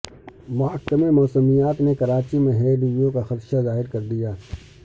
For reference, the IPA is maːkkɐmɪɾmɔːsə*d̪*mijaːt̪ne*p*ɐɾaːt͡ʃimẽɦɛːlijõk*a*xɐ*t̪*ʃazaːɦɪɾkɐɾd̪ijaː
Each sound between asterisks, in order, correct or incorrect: incorrect, incorrect, correct, correct

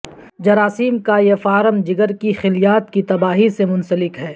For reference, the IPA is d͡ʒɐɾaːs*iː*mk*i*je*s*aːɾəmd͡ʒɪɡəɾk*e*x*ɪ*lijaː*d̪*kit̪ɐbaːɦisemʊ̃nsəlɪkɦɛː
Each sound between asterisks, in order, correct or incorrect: correct, incorrect, incorrect, incorrect, correct, incorrect

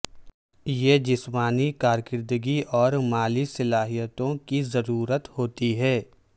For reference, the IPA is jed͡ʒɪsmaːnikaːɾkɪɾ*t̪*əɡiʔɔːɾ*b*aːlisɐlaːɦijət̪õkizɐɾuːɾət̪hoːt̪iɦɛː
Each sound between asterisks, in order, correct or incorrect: incorrect, incorrect

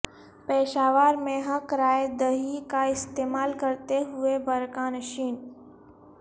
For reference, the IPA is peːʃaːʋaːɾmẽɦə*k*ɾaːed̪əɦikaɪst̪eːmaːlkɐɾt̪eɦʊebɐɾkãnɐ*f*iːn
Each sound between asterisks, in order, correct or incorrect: correct, incorrect

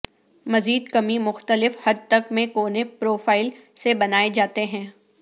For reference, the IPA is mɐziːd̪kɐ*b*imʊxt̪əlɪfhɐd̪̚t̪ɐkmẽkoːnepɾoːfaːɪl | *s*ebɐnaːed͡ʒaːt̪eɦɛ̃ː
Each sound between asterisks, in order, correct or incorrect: incorrect, correct

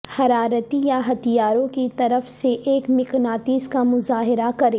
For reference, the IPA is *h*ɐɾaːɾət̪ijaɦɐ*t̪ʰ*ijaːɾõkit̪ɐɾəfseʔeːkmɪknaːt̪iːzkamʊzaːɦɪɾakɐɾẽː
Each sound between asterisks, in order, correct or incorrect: correct, incorrect

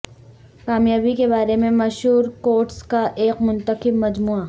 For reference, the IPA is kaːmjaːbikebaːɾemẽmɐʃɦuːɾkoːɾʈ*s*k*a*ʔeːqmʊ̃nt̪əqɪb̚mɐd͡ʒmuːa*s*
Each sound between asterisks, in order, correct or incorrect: correct, correct, incorrect

